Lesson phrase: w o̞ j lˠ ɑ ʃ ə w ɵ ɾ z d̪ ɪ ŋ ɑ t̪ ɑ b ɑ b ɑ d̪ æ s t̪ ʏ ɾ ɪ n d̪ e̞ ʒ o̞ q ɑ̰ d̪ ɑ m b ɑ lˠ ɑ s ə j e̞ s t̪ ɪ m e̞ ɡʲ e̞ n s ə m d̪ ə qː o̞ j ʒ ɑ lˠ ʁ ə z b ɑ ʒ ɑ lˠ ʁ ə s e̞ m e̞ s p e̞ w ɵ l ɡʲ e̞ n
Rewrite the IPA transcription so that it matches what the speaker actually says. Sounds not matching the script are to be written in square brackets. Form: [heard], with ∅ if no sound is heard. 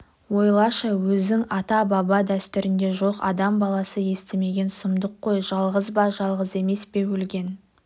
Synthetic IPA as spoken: w o̞ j lˠ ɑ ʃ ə w ɵ [∅] z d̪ ɪ ŋ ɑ t̪ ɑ b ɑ b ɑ d̪ æ s t̪ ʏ ɾ ɪ n d̪ e̞ ʒ o̞ q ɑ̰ d̪ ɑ m b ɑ lˠ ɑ s ə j e̞ s t̪ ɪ m e̞ ɡʲ e̞ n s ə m d̪ ə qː o̞ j ʒ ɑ lˠ ʁ ə z b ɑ ʒ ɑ lˠ ʁ ə [z] e̞ m e̞ s p e̞ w ɵ l ɡʲ e̞ n